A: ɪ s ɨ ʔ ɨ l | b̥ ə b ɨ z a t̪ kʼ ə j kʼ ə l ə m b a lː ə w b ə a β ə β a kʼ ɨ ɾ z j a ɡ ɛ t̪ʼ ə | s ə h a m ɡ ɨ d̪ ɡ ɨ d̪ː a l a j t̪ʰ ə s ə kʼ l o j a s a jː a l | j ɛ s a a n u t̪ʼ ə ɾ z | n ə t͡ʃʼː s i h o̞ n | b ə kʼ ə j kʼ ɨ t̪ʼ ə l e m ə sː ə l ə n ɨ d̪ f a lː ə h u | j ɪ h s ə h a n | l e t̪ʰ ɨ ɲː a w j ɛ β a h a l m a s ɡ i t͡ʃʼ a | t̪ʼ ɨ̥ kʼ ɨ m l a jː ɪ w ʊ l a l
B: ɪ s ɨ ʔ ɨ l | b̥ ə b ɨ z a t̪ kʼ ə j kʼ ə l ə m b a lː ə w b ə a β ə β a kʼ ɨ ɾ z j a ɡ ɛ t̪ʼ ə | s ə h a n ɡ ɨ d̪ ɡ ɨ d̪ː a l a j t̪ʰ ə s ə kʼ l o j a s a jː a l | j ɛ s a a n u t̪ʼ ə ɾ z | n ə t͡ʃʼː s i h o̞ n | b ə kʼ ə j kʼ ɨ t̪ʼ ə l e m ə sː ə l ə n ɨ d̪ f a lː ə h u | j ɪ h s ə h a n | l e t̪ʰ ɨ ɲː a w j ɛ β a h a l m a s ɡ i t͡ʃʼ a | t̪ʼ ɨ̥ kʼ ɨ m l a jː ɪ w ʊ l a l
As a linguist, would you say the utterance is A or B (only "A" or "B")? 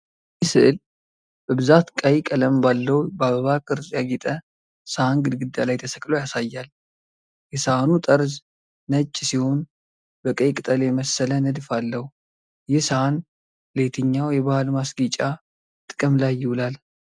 B